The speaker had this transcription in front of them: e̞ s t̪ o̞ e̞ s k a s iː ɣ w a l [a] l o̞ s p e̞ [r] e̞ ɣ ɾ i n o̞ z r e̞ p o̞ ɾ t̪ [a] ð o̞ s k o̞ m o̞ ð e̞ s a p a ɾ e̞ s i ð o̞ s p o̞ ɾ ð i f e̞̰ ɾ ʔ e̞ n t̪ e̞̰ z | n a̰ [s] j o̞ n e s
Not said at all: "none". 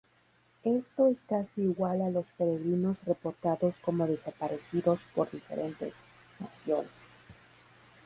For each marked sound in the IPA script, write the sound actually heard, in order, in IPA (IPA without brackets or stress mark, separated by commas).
a, ɾ, a, s